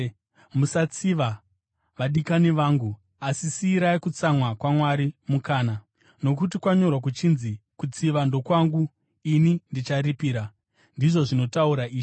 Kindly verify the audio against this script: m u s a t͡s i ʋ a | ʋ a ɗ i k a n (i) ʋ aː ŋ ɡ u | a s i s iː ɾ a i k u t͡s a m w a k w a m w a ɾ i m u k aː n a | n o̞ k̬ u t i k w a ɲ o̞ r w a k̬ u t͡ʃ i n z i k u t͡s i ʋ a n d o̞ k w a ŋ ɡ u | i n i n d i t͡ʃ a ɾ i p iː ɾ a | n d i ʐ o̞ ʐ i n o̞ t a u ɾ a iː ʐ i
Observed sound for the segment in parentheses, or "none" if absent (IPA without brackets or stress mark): i